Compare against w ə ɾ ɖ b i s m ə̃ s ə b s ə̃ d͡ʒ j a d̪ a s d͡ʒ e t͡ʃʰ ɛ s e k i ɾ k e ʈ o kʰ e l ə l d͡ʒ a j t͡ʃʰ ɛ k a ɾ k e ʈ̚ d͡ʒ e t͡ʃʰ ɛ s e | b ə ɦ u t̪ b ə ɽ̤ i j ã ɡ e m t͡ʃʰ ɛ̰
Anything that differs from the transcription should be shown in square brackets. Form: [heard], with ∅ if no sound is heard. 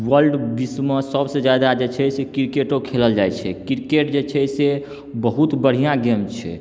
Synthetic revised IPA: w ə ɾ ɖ b i s m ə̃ s ə b s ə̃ d͡ʒ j a d̪ a [∅] d͡ʒ e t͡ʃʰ ɛ s e k i ɾ k e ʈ o kʰ e l ə l d͡ʒ a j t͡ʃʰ ɛ k [i] ɾ k e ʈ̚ d͡ʒ e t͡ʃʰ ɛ s e | b ə ɦ u t̪ b ə ɽ̤ i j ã ɡ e m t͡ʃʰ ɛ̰